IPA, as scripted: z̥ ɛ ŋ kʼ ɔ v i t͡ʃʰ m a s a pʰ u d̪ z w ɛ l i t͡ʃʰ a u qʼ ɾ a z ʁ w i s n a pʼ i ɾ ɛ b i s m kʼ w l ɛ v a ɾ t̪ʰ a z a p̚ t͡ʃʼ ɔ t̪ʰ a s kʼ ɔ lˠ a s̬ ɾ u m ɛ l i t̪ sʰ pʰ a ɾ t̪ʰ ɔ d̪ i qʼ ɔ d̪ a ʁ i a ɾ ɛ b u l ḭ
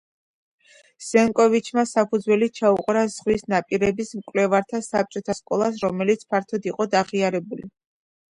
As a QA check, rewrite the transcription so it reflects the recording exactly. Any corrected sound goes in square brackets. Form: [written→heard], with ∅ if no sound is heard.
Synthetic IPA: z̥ ɛ ŋ kʼ ɔ v i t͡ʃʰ m a s a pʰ u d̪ z w ɛ l i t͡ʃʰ a u qʼ ɾ a z ʁ w i s n a pʼ i ɾ ɛ b i s m kʼ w l ɛ v a ɾ t̪ʰ a [z→s] a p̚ t͡ʃʼ ɔ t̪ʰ a s kʼ ɔ lˠ a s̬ ɾ [u→ɔ] m ɛ l i t̪ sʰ pʰ a ɾ t̪ʰ ɔ d̪ i qʼ ɔ d̪ a ʁ i a ɾ ɛ b u l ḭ